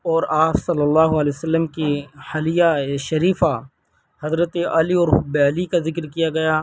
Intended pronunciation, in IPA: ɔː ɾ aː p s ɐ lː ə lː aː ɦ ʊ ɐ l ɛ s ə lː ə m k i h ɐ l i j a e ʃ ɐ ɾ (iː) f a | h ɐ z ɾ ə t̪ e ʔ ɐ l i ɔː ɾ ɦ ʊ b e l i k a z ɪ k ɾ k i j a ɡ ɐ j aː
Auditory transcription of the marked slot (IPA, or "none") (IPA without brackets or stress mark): iː